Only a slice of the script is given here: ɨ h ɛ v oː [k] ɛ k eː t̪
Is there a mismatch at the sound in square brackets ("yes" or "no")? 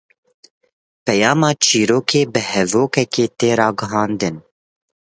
no